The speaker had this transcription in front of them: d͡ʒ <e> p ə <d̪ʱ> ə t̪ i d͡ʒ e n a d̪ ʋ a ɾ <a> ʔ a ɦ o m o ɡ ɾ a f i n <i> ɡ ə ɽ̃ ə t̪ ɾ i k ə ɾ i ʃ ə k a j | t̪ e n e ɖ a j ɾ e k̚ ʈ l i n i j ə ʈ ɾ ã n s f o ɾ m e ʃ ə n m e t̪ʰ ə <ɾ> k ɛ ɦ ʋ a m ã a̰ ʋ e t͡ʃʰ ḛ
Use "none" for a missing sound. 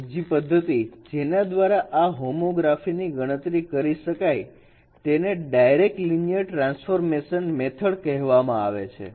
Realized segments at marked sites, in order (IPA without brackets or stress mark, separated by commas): i, d̪ʱː, a, i, ɭ